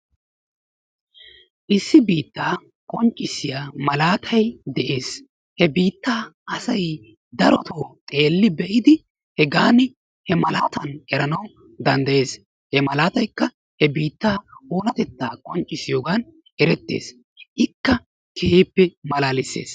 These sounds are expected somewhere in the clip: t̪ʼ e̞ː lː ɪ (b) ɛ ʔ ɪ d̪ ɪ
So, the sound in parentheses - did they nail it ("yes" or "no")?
yes